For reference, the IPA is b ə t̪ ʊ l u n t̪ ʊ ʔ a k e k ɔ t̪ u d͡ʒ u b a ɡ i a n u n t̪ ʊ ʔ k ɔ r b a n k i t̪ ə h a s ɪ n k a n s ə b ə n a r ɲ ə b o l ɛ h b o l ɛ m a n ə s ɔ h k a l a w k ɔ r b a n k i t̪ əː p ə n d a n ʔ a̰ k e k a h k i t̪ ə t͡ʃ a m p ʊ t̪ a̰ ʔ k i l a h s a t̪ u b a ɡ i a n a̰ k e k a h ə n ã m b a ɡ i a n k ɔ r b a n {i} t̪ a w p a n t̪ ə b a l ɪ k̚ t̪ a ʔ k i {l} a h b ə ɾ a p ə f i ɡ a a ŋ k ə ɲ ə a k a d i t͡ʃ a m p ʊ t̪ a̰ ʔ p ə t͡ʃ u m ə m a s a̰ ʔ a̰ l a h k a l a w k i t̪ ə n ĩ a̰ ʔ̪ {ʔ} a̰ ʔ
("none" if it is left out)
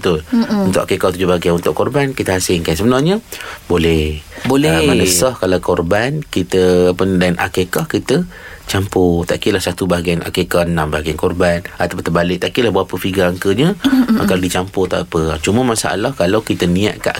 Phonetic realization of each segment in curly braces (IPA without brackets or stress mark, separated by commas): a, l, k